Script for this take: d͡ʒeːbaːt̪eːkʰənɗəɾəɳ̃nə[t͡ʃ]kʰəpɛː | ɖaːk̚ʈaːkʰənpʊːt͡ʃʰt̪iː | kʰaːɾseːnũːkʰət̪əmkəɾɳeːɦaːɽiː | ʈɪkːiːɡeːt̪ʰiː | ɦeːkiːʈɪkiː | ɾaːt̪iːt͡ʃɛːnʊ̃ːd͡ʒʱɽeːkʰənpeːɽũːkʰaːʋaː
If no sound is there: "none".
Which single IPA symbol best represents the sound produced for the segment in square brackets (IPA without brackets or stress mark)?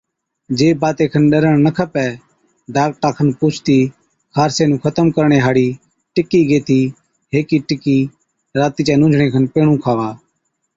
none